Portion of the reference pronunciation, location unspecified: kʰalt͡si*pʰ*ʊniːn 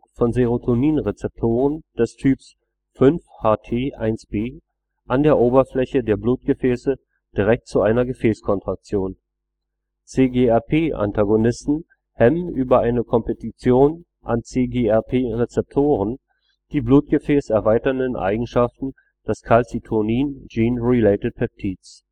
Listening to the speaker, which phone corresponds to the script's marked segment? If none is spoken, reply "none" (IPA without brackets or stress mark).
tʰ